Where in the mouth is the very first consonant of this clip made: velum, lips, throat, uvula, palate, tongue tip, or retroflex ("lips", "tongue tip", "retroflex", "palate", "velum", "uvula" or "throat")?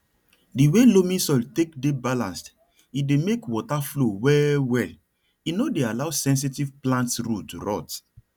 tongue tip